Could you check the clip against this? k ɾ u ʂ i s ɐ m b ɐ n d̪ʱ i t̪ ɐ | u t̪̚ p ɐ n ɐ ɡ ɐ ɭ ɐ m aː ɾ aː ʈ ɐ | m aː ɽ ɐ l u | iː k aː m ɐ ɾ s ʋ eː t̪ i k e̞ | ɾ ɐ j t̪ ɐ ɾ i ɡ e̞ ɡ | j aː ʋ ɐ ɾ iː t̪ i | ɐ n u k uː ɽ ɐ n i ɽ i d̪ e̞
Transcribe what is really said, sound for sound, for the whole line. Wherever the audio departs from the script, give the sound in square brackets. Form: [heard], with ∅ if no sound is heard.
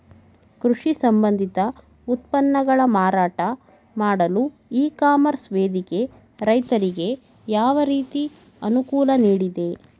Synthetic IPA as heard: k ɾ u ʂ i s ɐ m b ɐ n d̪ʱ i t̪ ɐ | u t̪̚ p ɐ [nː] ɐ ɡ ɐ ɭ ɐ m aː ɾ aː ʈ ɐ | m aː ɽ ɐ l u | iː k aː m ɐ ɾ s ʋ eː [d̪] i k e̞ | ɾ ɐ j t̪ ɐ ɾ i ɡ e̞ [∅] | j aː ʋ ɐ ɾ iː t̪ i | ɐ n u k uː [l] ɐ n [iː] ɽ i d̪ e̞